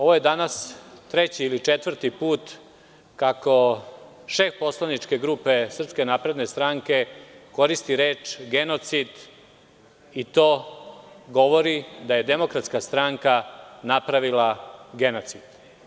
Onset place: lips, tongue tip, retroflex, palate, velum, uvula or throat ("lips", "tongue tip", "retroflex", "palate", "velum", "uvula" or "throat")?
lips